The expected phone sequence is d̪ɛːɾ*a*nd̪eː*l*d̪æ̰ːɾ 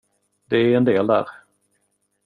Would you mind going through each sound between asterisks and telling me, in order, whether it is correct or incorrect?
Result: incorrect, correct

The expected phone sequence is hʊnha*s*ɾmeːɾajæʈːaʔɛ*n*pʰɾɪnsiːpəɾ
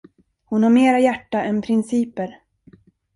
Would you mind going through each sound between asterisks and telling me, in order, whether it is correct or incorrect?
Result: incorrect, correct

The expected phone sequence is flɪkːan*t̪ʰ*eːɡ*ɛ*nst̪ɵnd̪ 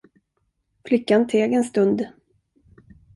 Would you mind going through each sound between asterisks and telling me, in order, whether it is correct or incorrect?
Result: correct, correct

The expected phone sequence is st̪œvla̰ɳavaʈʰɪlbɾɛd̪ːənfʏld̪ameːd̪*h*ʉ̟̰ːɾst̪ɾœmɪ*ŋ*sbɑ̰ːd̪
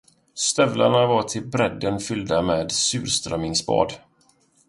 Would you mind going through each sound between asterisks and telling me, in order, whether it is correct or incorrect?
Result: incorrect, correct

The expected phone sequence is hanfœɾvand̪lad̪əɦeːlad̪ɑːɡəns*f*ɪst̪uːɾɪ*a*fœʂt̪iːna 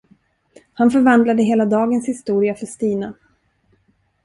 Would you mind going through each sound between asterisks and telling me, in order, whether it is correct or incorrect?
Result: incorrect, correct

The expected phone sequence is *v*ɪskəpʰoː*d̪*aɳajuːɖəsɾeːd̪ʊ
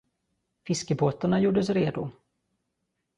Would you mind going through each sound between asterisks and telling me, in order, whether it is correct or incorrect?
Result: incorrect, incorrect

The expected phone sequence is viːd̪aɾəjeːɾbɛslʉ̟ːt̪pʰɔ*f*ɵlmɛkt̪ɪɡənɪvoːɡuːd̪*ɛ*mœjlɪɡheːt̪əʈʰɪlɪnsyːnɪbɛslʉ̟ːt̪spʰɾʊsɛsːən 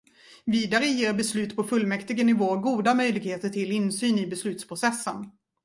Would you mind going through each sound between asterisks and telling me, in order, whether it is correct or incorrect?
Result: correct, incorrect

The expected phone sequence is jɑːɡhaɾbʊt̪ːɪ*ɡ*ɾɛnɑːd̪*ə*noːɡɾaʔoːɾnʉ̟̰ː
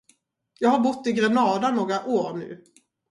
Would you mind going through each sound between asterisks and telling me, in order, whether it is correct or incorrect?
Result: correct, incorrect

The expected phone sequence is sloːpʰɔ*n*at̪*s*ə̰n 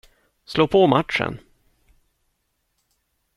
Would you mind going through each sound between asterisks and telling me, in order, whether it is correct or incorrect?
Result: incorrect, incorrect

